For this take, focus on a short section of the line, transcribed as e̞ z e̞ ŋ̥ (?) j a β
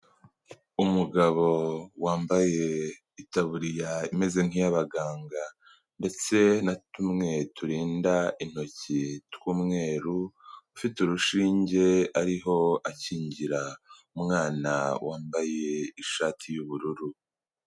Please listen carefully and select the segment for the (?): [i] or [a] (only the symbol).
i